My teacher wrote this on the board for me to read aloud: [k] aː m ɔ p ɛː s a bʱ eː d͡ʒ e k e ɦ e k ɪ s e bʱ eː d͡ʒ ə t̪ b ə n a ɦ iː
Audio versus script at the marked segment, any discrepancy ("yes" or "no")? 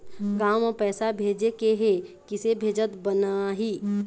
yes